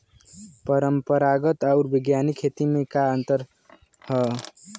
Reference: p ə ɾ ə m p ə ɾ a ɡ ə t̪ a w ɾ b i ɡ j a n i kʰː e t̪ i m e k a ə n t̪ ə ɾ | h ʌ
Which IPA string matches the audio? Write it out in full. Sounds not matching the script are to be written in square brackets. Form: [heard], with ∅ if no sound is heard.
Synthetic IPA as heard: p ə ɾ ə m p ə ɾ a ɡ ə t̪ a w ɾ b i ɡ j a n i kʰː e t̪ i m e k a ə n t̪ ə ɾ | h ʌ